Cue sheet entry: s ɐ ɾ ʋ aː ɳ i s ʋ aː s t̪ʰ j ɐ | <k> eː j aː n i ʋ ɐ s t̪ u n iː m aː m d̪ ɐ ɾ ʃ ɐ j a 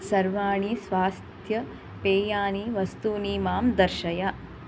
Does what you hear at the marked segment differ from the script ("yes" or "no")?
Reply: yes